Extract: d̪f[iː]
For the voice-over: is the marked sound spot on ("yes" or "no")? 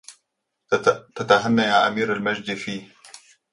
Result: yes